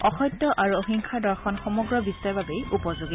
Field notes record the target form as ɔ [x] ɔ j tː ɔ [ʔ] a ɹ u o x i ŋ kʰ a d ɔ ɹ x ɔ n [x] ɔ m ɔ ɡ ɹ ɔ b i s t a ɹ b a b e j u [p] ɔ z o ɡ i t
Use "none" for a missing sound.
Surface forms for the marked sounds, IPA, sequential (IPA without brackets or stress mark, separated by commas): x, ʔ, x, p